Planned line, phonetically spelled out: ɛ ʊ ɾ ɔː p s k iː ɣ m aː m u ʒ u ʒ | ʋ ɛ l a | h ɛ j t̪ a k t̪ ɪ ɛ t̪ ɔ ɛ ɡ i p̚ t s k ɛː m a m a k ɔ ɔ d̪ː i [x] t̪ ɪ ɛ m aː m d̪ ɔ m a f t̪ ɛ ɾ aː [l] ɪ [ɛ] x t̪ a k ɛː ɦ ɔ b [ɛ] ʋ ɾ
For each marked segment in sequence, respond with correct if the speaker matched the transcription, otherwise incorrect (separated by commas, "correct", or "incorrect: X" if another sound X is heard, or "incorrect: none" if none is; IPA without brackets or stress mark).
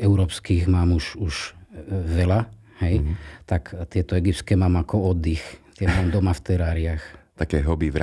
correct, incorrect: ɾ, incorrect: a, incorrect: i